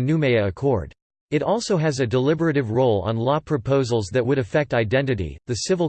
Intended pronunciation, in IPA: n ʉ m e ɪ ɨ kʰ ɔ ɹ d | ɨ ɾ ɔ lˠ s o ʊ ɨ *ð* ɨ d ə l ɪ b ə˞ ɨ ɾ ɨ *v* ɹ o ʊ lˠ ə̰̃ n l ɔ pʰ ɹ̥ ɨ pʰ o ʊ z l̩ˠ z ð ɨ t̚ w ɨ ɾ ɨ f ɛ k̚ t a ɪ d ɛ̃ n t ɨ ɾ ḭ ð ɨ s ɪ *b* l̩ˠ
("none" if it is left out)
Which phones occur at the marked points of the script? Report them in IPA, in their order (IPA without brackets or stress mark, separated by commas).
z, v, v